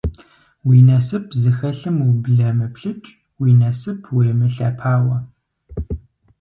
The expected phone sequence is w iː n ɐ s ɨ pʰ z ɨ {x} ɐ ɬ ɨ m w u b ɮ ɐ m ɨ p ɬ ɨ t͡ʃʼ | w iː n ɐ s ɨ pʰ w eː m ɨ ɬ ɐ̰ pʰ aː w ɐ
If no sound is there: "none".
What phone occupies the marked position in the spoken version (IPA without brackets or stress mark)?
x